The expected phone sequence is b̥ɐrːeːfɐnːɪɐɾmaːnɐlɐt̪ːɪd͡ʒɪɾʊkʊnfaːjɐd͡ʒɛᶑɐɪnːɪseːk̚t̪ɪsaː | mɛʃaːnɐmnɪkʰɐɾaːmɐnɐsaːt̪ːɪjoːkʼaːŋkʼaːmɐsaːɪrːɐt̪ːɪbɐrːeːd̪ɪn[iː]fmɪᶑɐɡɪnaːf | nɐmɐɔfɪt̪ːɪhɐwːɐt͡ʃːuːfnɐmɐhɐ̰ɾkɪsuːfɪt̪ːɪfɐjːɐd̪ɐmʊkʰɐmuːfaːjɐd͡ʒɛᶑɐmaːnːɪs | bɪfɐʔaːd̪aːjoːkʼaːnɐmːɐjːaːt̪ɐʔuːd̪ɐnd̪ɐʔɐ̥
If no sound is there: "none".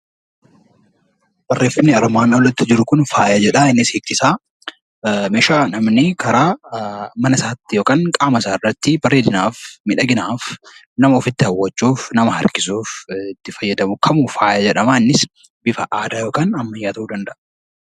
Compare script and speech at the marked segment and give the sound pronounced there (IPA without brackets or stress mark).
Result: aː